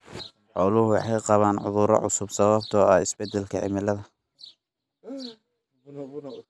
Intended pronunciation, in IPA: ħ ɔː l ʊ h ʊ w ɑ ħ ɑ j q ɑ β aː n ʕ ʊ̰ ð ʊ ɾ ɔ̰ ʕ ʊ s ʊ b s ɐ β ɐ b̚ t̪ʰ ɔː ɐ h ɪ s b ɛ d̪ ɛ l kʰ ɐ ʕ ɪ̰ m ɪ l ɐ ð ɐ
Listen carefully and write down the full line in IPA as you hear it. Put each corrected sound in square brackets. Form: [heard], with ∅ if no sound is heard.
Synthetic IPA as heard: ħ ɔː l ʊ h ʊ w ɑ ħ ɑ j q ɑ β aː n ʕ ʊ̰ ð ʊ ɾ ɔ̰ ʕ ʊ s ʊ b s ɐ β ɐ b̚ t̪ʰ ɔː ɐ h ɪ s b ɛ d̪ ɛ l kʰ ɐ ʕ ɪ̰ m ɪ l ɐ ð ɐ